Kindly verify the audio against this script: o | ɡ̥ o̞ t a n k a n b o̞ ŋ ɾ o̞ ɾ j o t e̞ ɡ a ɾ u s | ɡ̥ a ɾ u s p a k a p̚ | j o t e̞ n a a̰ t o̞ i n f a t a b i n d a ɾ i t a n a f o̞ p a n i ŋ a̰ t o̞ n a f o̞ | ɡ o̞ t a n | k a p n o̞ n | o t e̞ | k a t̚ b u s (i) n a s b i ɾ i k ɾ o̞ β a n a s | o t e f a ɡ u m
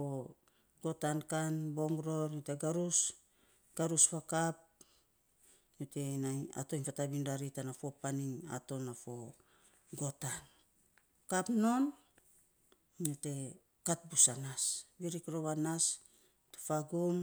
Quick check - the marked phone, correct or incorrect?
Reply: incorrect